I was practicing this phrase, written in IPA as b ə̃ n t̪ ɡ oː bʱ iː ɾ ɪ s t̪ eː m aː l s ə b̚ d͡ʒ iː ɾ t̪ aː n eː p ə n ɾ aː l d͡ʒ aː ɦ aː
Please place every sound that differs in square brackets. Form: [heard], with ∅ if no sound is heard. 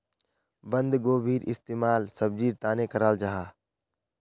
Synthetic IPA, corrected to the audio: b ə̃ n [d̪] ɡ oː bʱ iː ɾ ɪ s t̪ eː m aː l s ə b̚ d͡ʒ iː ɾ t̪ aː n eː [k] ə [∅] ɾ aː l d͡ʒ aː ɦ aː